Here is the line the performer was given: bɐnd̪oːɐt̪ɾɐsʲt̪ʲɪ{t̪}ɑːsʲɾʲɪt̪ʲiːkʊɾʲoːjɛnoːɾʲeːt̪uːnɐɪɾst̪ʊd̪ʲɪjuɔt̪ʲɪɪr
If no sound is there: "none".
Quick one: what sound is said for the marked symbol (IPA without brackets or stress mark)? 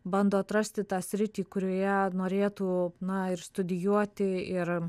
t̪